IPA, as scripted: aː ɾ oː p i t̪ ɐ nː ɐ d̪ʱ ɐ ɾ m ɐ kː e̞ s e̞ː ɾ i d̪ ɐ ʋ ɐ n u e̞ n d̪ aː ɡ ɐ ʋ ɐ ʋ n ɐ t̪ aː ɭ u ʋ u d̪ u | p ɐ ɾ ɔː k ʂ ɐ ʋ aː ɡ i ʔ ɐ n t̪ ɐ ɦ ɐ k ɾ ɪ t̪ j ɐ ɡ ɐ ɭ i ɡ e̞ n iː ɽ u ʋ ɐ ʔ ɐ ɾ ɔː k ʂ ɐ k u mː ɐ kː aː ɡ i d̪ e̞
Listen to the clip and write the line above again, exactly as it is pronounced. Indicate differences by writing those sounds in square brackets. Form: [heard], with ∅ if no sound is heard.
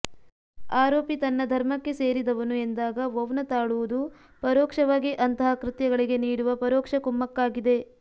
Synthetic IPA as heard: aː ɾ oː p i t̪ ɐ nː ɐ d̪ʱ ɐ ɾ m ɐ kː e̞ s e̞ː ɾ i d̪ ɐ ʋ ɐ n u e̞ n d̪ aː ɡ ɐ ʋ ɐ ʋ n ɐ t̪ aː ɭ u ʋ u d̪ u | p ɐ ɾ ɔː k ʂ ɐ ʋ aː ɡ i ʔ ɐ n t̪ ɐ ɦ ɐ k ɾ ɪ t̪ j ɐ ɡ ɐ ɭ i ɡ e̞ n iː ɽ u ʋ ɐ [p] ɐ ɾ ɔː k ʂ ɐ k u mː ɐ kː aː ɡ i d̪ e̞